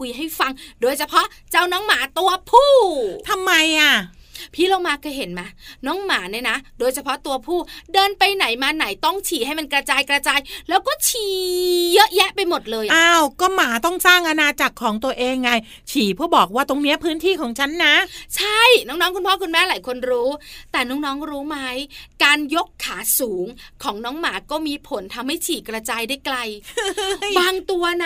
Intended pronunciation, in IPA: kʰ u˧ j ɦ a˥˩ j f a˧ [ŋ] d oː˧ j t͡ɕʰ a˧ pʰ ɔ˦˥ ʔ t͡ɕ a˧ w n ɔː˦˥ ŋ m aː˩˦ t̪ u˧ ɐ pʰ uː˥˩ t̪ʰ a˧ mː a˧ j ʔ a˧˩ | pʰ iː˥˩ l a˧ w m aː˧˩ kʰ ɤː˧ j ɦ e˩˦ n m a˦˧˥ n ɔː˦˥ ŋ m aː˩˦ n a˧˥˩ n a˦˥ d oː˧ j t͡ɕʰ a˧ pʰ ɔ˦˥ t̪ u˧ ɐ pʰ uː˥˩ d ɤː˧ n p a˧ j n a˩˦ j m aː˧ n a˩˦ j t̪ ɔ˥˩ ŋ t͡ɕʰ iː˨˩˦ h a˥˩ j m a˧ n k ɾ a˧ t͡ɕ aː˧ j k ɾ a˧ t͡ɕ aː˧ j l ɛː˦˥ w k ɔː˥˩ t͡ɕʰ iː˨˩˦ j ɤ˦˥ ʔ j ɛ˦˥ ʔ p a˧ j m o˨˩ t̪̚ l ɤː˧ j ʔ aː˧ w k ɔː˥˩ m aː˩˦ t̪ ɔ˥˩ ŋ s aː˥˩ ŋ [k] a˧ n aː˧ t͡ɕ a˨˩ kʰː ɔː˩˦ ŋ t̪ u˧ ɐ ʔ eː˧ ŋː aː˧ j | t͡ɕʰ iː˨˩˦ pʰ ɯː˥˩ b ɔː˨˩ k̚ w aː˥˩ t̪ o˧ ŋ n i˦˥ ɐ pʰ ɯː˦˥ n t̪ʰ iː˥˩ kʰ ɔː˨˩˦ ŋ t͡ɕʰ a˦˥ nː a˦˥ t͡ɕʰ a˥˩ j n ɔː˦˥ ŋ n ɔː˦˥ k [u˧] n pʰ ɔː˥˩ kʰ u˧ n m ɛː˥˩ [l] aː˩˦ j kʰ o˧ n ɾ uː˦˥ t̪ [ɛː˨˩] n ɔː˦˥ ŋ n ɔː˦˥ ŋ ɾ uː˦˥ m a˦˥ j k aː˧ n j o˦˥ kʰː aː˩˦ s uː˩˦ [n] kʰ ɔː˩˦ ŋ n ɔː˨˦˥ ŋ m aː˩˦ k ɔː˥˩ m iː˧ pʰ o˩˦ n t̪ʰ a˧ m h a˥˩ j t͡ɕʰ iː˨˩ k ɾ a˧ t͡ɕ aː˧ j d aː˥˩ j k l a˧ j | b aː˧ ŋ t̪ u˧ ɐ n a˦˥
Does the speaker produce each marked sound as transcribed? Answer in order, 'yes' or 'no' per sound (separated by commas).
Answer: yes, no, yes, yes, yes, no